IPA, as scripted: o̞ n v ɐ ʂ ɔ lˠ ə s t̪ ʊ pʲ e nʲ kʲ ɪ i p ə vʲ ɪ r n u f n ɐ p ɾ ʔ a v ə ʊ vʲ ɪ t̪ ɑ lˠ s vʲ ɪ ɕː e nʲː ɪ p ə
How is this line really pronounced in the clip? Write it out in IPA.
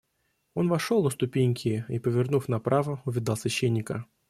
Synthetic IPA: o̞ n v ɐ ʂ o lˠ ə s t̪ ʊ pʲ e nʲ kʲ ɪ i p ə vʲ ɪ r n u f n ɐ p ɾ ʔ a v ə ʊ vʲ ɪ d̪ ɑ lˠ s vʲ ɪ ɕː e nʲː ɪ k ə